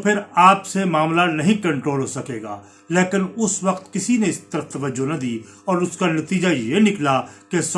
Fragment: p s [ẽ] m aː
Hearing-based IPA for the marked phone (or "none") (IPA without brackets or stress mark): e